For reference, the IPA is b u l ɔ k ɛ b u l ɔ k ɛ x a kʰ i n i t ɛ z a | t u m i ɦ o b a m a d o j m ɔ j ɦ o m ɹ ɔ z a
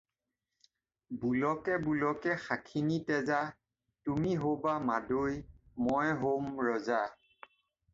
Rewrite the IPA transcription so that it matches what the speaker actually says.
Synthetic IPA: b u l ɔ k ɛ b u l ɔ k ɛ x a kʰ i n i t ɛ z a | t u m i ɦ o b a m a d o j m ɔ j ɦ o m ɹ ɔ z a